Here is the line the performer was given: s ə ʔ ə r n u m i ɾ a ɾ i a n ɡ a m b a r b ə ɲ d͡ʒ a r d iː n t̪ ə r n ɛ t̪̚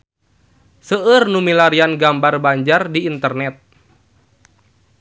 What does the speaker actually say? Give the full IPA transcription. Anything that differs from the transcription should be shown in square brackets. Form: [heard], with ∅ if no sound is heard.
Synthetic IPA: s ə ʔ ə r n u m i [l] a ɾ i a n ɡ a m b a r b [a] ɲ d͡ʒ a r d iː n t̪ ə r n ɛ t̪̚